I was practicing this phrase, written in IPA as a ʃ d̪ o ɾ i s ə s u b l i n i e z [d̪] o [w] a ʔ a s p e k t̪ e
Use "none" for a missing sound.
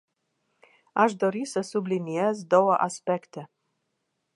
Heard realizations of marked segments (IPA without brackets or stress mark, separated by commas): d̪, w